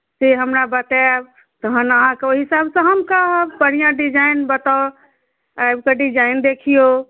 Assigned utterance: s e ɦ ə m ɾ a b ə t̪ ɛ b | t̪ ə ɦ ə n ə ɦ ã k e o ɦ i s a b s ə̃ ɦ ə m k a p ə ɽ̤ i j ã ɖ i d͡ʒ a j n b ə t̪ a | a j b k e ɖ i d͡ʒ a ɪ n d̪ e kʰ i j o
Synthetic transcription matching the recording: s e ɦ ə m ɾ a b ə t̪ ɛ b | t̪ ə ɦ ə n ə ɦ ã k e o ɦ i s a b s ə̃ ɦ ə m k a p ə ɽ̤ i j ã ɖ i d͡ʒ a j n b ə t̪ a | a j b k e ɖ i d͡ʒ a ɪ n d̪ e kʰ i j o